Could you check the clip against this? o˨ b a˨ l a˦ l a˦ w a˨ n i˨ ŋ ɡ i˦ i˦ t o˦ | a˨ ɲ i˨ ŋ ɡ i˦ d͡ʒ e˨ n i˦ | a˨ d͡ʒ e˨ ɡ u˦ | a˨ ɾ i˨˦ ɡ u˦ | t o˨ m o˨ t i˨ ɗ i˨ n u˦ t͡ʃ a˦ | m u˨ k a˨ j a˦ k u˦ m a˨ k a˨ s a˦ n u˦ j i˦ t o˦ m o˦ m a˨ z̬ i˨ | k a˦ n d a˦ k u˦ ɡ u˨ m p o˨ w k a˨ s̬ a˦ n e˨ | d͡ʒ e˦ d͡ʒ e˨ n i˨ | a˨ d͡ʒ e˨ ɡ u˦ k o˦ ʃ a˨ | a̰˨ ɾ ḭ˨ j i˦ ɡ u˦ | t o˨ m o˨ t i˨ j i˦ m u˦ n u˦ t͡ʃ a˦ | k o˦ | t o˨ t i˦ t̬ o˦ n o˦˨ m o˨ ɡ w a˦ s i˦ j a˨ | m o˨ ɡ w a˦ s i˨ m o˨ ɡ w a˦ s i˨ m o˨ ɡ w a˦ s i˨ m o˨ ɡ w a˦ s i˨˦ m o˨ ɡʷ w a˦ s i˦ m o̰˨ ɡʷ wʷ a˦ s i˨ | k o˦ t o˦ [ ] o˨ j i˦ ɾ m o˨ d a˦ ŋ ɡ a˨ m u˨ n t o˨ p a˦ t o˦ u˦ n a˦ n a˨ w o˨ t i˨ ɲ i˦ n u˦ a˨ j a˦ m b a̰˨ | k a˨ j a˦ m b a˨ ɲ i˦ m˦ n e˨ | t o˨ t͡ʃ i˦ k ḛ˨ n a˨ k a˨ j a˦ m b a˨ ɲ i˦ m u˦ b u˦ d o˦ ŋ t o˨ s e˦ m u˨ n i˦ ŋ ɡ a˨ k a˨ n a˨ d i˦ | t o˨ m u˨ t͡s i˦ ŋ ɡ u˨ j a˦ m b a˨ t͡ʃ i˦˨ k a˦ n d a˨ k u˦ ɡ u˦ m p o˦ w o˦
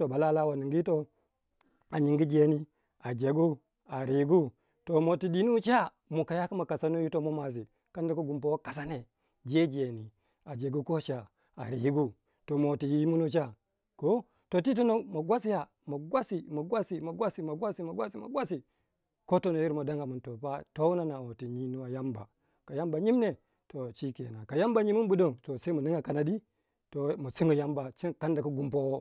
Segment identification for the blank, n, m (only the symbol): n